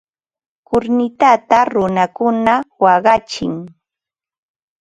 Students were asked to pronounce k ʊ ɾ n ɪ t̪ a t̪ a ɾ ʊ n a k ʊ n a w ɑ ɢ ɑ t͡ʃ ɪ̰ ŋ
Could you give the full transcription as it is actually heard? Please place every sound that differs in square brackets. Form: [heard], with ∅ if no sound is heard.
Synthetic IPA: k ʊ ɾ n ɪ t̪ a t̪ a ɾ ʊ n a k ʊ n a w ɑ ɢ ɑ t͡ʃ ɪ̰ ŋ